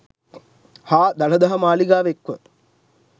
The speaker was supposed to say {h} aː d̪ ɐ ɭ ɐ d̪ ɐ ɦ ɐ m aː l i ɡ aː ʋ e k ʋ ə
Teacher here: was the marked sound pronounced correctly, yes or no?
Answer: yes